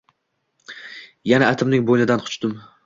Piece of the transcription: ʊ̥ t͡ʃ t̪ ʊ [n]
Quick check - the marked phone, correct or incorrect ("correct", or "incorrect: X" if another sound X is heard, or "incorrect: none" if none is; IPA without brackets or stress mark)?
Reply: incorrect: m